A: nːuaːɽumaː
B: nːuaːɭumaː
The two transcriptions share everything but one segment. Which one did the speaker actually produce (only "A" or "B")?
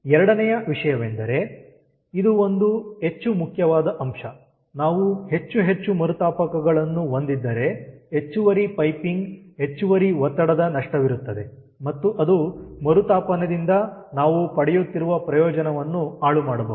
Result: B